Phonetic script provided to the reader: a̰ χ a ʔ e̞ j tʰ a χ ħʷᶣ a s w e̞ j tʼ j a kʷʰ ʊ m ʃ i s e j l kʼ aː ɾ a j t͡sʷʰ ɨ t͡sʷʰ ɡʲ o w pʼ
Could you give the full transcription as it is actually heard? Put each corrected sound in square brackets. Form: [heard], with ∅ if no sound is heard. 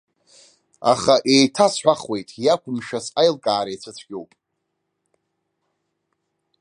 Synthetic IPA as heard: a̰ χ a ʔ e̞ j tʰ a [s] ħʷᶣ a [χ] w e̞ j tʼ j a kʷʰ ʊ m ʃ [a] s [a] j l kʼ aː ɾ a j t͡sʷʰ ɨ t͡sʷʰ ɡʲ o w pʼ